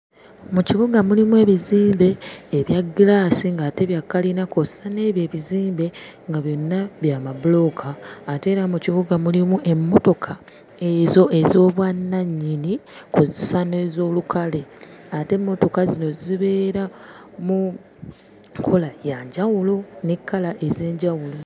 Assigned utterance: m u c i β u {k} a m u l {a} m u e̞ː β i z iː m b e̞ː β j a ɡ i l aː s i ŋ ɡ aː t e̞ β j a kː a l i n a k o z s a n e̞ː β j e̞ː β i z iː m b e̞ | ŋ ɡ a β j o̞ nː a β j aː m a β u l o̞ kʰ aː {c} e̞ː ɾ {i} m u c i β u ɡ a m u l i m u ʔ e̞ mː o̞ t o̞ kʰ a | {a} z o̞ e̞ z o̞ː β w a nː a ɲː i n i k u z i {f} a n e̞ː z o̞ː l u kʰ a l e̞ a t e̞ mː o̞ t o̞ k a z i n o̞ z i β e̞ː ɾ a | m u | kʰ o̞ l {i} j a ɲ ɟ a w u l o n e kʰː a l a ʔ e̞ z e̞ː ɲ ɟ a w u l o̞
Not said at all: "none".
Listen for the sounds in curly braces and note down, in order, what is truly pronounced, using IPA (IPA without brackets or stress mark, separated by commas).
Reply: ɡ, i, t, a, e, s, a